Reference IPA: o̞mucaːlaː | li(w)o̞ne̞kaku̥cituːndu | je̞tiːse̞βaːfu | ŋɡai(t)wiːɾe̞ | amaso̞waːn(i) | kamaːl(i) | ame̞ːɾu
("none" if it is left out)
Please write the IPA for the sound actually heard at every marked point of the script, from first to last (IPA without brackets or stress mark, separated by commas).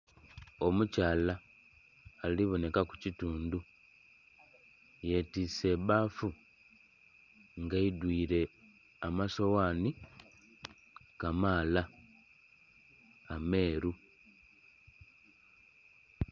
β, d, i, a